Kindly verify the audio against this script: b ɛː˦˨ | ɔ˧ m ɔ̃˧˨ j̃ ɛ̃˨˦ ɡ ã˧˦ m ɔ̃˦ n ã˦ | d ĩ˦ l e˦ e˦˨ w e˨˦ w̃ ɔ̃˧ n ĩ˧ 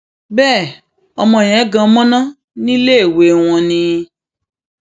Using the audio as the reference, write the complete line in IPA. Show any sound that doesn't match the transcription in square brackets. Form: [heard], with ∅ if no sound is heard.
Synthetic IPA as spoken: b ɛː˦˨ | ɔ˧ m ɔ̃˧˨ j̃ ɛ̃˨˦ ɡ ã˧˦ m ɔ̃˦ n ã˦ | [n] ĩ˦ l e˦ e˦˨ w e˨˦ w̃ ɔ̃˧ n ĩ˧